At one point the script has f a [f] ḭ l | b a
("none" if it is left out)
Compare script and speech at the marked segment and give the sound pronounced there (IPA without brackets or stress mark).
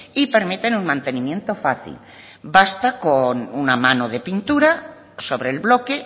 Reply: θ